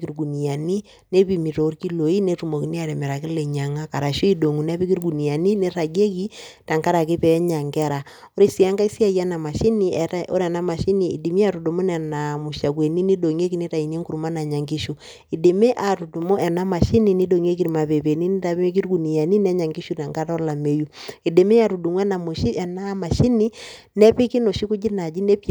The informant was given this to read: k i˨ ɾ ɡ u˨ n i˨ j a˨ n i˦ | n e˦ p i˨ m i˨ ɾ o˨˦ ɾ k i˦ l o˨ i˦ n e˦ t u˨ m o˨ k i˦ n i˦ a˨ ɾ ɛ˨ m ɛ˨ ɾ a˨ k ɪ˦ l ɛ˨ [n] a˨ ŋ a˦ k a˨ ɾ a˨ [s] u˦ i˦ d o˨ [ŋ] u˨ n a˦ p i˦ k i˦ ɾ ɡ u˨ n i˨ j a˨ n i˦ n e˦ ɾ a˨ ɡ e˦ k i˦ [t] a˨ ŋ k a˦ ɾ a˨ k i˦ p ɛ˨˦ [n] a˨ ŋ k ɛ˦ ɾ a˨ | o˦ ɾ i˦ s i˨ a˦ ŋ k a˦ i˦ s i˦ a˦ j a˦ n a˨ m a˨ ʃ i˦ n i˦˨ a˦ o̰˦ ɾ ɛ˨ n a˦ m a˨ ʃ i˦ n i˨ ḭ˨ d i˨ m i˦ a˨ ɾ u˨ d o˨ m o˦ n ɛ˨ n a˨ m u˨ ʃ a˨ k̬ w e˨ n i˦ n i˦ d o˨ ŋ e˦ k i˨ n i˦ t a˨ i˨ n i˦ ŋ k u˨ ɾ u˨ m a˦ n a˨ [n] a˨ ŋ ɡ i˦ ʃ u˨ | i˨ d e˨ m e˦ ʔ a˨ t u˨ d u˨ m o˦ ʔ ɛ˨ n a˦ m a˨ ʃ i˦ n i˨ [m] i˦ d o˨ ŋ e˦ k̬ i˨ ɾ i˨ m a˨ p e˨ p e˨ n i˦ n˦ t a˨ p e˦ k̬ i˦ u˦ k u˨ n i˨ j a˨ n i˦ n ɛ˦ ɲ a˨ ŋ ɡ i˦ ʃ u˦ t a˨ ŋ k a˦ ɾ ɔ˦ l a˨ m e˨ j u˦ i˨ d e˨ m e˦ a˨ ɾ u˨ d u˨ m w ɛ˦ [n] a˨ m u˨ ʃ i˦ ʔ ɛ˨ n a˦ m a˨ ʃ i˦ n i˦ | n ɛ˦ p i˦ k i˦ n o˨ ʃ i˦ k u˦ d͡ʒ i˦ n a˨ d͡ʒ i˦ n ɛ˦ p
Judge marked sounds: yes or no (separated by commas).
no, no, yes, yes, no, no, no, yes